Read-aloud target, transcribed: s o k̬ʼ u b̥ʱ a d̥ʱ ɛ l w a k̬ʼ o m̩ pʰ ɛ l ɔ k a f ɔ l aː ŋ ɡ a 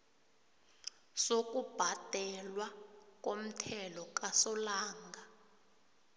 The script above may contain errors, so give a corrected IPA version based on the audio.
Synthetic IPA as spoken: s o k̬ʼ u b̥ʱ a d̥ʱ ɛ l w a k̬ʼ o m̩ tʰ ɛ l ɔ k a s ɔ l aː ŋ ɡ a